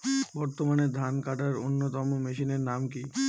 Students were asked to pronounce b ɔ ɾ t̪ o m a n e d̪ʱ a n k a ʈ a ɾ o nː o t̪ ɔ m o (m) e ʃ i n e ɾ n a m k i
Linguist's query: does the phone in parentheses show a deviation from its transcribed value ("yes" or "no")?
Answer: no